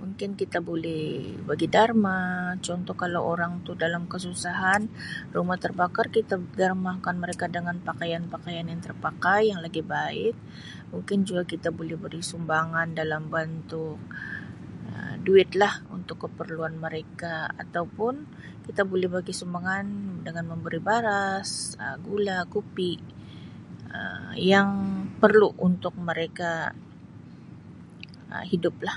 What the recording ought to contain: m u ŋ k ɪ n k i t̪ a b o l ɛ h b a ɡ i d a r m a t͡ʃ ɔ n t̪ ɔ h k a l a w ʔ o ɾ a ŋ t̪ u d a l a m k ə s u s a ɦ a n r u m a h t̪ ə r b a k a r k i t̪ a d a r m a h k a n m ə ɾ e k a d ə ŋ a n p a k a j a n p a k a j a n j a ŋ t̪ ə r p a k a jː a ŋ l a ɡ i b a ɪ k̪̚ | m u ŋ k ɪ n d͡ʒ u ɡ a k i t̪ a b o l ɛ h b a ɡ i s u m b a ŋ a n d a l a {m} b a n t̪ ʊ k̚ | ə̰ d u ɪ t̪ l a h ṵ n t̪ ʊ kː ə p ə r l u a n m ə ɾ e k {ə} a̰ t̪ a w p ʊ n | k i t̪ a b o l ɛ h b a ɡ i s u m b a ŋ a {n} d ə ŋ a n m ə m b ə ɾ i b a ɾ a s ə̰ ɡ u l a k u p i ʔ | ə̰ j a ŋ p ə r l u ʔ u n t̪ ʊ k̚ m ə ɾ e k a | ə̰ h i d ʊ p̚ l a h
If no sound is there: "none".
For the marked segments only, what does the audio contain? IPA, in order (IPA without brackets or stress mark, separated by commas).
m, a, n